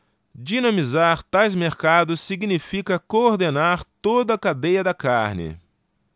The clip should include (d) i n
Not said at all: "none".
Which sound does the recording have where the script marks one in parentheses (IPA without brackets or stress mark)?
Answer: d͡ʒ